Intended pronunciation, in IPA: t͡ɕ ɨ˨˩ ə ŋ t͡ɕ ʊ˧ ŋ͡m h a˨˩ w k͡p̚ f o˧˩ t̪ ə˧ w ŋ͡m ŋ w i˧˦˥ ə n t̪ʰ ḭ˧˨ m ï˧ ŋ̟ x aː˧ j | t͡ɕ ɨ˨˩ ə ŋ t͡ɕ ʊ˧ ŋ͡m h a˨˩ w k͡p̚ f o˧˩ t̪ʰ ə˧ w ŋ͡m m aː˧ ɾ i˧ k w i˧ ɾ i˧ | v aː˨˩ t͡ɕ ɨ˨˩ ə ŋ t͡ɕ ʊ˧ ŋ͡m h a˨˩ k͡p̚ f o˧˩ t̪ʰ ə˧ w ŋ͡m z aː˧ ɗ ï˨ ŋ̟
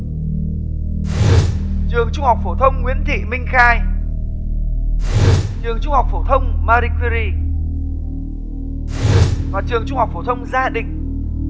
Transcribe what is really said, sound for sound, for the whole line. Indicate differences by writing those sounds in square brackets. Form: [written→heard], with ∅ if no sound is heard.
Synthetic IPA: t͡ɕ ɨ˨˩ ə ŋ t͡ɕ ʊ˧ ŋ͡m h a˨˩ w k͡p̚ f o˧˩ [t̪→t̪ʰ] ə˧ w ŋ͡m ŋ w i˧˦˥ ə n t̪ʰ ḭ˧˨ m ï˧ ŋ̟ x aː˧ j | t͡ɕ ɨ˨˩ ə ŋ t͡ɕ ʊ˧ ŋ͡m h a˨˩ w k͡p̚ f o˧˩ t̪ʰ ə˧ w ŋ͡m m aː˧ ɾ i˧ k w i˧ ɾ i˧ | v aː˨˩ t͡ɕ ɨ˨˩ ə ŋ t͡ɕ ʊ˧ ŋ͡m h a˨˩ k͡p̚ f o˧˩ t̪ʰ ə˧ w ŋ͡m z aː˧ ɗ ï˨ ŋ̟